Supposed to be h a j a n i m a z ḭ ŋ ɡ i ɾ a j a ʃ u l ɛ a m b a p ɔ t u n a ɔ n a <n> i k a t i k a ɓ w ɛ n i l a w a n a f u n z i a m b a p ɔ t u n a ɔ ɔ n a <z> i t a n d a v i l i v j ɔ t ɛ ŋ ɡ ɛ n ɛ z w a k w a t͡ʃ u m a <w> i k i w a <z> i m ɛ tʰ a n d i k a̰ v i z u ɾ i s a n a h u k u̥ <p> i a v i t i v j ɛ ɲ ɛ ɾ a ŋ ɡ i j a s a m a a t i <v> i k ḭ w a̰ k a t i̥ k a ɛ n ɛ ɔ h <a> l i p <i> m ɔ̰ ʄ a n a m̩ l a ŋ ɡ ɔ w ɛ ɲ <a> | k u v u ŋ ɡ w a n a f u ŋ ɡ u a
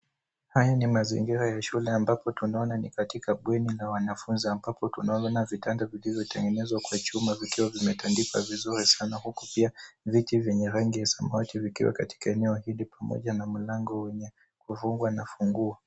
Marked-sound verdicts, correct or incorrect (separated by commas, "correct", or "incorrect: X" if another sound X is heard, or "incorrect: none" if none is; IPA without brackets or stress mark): correct, incorrect: v, incorrect: v, incorrect: v, correct, correct, incorrect: i, incorrect: a, incorrect: ɛ